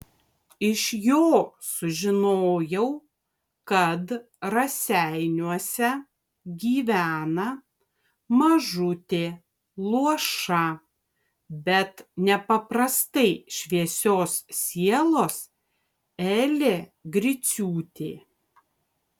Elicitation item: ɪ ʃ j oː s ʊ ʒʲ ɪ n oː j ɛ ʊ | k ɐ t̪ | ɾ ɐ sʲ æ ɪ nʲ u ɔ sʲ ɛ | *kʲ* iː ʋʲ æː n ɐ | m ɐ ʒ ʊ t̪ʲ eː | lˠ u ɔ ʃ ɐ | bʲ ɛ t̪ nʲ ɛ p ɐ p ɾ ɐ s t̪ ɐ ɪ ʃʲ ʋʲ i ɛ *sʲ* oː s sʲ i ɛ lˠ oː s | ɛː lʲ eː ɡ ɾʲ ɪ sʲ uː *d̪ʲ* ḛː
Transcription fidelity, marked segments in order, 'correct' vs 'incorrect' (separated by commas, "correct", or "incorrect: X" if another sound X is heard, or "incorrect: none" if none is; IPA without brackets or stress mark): incorrect: ɡʲ, correct, incorrect: t̪ʲ